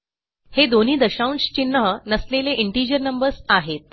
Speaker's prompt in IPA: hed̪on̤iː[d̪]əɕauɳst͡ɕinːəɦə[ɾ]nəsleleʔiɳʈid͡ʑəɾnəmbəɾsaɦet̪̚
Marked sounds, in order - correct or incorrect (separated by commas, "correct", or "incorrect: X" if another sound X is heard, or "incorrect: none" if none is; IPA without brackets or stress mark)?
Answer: correct, incorrect: none